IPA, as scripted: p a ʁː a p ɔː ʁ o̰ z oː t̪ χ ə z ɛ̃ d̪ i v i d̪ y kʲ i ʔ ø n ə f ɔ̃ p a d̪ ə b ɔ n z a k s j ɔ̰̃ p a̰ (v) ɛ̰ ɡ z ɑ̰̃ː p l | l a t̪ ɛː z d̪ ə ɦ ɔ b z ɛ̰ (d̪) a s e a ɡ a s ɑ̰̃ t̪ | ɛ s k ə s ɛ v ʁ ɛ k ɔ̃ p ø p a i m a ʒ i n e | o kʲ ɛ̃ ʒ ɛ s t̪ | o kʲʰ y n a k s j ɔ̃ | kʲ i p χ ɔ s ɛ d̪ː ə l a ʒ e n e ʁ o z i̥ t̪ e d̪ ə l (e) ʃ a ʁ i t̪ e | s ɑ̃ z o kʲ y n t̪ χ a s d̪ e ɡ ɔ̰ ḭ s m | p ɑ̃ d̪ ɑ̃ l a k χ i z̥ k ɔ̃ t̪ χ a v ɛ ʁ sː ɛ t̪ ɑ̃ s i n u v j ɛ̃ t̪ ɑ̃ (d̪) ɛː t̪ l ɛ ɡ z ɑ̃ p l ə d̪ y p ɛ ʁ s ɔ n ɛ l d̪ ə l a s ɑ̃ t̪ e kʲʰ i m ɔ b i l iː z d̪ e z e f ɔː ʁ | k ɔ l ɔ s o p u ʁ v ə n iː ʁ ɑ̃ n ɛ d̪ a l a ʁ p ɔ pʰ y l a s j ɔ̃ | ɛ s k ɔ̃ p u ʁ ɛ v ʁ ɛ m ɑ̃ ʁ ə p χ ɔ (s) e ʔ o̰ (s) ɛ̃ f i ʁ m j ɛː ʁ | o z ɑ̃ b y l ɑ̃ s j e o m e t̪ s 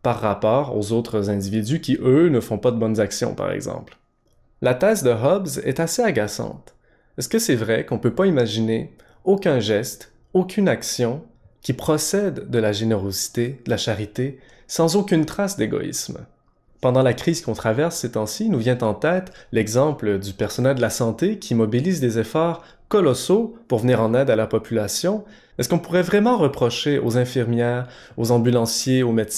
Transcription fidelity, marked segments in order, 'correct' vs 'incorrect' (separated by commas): incorrect, incorrect, incorrect, incorrect, incorrect, incorrect